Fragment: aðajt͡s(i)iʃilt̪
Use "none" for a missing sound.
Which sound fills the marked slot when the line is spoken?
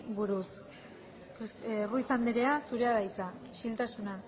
a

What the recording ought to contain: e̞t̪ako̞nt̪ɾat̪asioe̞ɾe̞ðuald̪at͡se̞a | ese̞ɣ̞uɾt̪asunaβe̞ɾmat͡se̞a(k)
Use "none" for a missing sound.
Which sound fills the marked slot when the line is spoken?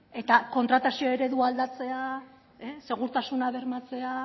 none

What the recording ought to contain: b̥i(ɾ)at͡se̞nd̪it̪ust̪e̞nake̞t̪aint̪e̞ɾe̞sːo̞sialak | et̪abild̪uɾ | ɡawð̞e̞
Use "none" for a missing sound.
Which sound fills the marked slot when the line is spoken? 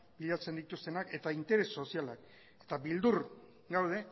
ʎ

